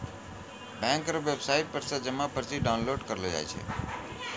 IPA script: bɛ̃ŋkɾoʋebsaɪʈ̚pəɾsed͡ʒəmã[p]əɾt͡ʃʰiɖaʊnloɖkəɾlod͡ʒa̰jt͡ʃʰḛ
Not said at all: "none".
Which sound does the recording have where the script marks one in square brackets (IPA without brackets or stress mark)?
p